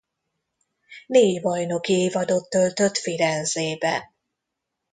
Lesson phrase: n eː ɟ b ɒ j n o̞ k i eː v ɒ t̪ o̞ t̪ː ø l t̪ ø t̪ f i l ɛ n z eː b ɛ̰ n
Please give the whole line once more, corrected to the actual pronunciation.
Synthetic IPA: n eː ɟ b ɒ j n o̞ k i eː v ɒ d̪ o̞ t̪ː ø l t̪ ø t̪ f i ɾ ɛ n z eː b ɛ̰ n